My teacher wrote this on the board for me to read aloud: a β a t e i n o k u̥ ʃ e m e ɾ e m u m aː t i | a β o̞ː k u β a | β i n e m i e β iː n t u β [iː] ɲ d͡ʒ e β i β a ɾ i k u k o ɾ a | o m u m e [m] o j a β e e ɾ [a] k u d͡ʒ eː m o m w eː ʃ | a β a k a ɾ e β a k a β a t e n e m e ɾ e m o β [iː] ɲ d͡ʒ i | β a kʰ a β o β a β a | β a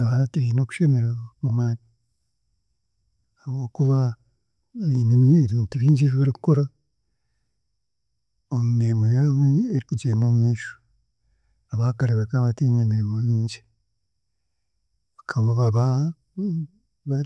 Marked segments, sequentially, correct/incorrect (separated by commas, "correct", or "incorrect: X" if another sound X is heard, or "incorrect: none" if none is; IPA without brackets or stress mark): correct, correct, incorrect: i, correct